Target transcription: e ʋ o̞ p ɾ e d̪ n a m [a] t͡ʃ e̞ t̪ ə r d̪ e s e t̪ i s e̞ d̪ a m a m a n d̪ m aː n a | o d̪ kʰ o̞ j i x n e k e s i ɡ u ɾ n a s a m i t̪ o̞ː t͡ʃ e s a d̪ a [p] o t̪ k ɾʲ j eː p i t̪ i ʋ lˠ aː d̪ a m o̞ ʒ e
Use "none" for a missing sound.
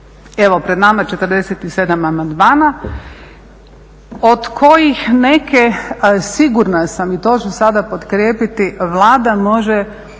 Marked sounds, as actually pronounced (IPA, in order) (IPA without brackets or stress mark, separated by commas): a, p